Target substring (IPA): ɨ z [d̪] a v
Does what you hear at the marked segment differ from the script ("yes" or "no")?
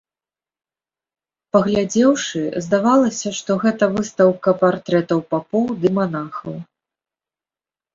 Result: no